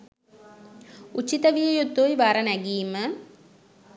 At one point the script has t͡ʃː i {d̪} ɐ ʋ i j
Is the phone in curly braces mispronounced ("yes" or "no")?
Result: yes